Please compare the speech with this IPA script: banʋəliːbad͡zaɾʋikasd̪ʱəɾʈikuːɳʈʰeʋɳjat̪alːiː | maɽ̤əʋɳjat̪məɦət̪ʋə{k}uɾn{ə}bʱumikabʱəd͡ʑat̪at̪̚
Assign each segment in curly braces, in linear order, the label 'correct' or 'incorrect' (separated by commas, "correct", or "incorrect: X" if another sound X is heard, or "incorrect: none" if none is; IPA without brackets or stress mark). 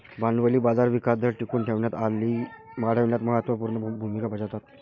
incorrect: p, correct